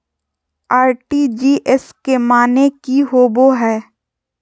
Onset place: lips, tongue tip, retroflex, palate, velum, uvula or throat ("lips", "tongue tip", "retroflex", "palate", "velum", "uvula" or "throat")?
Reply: tongue tip